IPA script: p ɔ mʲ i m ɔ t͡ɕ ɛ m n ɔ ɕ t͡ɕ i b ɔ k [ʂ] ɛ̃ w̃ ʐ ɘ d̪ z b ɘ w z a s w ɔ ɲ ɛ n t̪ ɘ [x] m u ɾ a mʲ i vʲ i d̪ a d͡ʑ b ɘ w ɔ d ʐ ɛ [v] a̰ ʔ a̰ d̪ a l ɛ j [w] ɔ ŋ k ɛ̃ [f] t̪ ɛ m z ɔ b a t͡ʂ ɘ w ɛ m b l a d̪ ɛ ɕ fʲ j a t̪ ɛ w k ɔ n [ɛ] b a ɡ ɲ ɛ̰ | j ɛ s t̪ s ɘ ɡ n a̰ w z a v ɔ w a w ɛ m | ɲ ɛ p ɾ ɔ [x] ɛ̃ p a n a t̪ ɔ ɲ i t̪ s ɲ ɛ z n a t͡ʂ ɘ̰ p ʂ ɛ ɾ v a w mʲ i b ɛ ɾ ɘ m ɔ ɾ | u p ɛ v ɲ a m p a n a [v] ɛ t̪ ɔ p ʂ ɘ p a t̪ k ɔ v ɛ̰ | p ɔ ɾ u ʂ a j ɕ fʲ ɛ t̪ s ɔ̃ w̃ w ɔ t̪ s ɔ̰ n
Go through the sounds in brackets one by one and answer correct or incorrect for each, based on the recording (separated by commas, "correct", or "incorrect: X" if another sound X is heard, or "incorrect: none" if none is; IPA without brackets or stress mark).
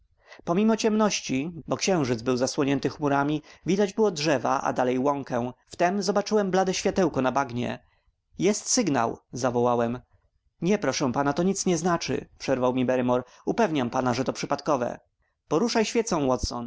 incorrect: ɕ, correct, correct, correct, correct, incorrect: a, incorrect: ʂ, incorrect: ʐ